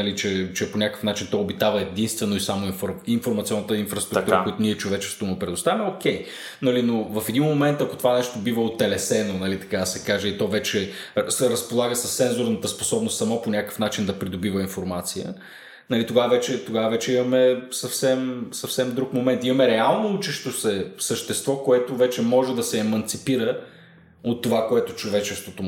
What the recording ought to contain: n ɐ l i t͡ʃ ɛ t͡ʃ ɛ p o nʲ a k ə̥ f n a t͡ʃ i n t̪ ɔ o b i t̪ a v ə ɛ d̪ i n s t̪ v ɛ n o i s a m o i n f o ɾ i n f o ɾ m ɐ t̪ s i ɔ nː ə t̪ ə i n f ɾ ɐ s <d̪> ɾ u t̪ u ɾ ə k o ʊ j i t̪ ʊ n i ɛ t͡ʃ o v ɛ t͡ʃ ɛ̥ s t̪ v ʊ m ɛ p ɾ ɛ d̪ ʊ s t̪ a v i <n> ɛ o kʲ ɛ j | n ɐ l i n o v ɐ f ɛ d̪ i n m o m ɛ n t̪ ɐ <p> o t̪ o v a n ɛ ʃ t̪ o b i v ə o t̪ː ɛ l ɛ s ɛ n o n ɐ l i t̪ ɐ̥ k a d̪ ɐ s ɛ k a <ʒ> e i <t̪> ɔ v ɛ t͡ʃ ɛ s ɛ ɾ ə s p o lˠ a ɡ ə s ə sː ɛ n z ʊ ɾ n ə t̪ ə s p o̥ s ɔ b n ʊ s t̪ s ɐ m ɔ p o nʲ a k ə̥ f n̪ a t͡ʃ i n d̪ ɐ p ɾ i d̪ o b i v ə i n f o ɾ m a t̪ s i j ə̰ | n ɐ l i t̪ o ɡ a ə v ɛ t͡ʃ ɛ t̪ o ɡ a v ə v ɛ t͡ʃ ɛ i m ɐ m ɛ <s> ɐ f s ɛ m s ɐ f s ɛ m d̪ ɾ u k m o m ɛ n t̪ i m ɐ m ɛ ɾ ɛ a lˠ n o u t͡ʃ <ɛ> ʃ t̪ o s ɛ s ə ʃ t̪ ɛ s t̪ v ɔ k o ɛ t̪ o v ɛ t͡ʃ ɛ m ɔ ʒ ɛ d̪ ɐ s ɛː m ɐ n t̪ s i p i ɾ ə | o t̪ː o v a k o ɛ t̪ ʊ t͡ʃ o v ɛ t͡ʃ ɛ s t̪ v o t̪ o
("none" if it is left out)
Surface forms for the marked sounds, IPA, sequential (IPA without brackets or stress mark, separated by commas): t̪, m, k, ʒ, t̪, s, ɛ